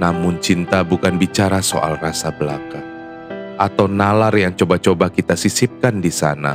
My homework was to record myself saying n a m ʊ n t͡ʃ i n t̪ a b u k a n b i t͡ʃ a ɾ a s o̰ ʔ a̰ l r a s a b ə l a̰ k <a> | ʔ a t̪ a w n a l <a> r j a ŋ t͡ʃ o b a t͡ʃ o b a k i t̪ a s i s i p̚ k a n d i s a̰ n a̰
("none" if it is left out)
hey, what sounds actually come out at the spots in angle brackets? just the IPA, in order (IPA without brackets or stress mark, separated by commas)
a, a